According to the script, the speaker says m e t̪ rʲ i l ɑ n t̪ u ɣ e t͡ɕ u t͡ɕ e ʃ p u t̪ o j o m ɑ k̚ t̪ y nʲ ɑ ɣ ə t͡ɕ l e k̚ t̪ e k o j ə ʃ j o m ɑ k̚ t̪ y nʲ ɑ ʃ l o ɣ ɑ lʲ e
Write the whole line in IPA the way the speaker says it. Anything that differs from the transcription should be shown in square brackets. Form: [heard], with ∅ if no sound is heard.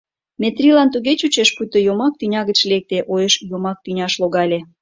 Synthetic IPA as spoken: m e t̪ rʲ i l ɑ n t̪ u ɣ e t͡ɕ u t͡ɕ e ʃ p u t̪ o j o m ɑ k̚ t̪ y nʲ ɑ ɣ ə t͡ɕ l e k̚ t̪ e [ʔ] o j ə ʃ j o m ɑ k̚ t̪ y nʲ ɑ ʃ l o ɣ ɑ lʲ e